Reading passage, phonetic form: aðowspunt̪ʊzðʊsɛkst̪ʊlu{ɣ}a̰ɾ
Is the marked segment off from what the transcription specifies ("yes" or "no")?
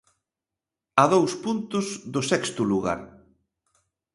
no